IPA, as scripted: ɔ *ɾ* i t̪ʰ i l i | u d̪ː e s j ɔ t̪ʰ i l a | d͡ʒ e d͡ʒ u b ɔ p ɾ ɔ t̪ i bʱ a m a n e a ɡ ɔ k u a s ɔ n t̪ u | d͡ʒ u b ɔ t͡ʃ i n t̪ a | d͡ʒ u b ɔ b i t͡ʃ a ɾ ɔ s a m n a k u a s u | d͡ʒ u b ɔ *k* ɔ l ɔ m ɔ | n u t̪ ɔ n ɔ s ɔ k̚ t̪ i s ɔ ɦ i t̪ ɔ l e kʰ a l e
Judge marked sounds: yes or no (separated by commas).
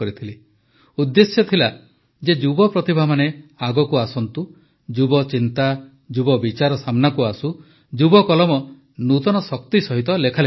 yes, yes